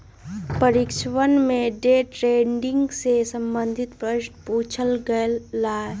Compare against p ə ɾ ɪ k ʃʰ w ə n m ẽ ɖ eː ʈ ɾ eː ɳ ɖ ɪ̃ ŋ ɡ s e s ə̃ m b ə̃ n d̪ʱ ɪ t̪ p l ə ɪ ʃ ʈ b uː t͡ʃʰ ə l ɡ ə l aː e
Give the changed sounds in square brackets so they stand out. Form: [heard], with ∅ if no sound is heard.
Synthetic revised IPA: p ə ɾ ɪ k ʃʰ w ə n m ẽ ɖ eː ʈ ɾ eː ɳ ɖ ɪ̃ ŋ ɡ s e s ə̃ m b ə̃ n d̪ʱ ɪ t̪ p [ɾ] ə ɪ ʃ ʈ [p] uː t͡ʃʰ ə l ɡ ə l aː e